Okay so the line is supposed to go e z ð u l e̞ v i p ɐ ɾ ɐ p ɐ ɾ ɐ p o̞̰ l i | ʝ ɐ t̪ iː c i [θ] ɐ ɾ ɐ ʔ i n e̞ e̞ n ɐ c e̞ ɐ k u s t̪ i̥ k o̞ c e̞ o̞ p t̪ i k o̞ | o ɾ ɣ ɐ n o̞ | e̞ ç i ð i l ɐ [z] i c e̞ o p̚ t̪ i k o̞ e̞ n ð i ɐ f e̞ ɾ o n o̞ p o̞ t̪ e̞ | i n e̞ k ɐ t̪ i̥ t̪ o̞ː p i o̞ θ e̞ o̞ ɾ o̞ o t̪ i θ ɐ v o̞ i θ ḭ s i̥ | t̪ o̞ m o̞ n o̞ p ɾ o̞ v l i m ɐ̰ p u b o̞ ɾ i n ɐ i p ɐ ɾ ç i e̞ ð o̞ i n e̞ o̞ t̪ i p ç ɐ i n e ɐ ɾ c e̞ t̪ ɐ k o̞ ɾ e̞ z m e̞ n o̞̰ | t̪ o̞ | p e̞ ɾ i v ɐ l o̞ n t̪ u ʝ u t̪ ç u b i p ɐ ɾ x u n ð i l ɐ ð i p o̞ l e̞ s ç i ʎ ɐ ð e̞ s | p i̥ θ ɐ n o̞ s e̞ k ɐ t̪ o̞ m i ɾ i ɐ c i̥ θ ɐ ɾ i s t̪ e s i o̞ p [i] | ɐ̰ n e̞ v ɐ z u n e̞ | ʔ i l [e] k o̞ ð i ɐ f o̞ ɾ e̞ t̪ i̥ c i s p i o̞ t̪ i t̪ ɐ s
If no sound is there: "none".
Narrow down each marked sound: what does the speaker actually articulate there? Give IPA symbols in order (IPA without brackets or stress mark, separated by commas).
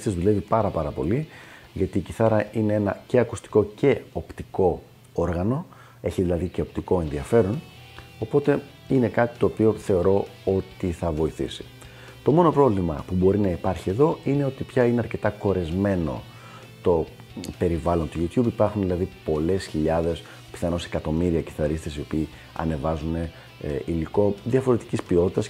θ, ð, iː, i